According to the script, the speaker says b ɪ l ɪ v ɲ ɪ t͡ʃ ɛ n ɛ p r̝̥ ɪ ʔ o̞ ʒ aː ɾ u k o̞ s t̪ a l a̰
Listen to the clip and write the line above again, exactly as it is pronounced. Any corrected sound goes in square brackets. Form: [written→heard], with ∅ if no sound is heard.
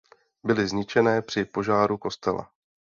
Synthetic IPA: b ɪ l ɪ [v→z] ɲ ɪ t͡ʃ ɛ n [ɛ→ɛː] p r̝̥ ɪ [ʔ→p] o̞ ʒ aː ɾ u k o̞ s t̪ [a→ɛ] l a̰